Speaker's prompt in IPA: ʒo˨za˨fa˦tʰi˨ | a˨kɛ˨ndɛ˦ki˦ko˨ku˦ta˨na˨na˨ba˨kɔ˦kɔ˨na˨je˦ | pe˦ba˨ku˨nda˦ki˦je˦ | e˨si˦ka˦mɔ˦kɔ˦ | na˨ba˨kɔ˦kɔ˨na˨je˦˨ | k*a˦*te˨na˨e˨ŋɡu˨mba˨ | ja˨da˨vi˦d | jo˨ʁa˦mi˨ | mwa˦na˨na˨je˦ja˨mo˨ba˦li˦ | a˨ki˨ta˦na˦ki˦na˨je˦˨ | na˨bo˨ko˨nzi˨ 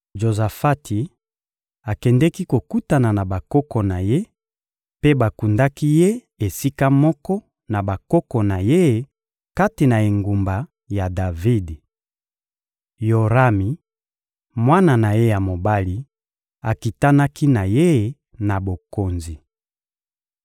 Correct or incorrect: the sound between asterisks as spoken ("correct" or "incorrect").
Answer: correct